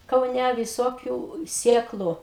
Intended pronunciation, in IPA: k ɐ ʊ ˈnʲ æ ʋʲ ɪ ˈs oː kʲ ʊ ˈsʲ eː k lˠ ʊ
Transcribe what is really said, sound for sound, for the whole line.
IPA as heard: k ɐ ʊ ˈnʲ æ ʋʲ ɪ ˈs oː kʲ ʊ ˈsʲ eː k lˠ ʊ